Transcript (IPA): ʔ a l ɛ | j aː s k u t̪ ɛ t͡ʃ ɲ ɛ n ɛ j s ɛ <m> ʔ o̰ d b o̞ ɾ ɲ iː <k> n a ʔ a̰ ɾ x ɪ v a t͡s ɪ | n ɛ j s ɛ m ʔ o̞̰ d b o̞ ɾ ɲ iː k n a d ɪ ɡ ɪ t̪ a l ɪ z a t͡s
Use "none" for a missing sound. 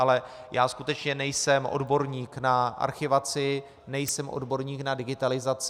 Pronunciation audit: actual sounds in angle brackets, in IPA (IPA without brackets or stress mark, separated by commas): m, k